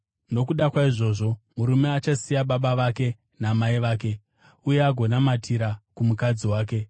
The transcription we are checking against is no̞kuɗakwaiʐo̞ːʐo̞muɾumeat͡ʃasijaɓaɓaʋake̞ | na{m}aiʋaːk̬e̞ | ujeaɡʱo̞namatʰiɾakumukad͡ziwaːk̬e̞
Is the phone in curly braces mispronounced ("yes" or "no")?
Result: no